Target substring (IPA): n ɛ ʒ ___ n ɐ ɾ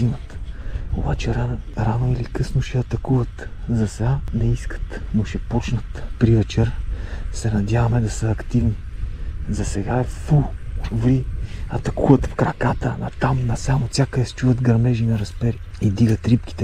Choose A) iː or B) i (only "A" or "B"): B